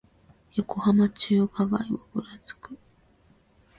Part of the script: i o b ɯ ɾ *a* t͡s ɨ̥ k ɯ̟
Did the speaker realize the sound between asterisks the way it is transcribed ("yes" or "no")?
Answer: yes